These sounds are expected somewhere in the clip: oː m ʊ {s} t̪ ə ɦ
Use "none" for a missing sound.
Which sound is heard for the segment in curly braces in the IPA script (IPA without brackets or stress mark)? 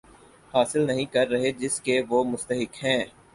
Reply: s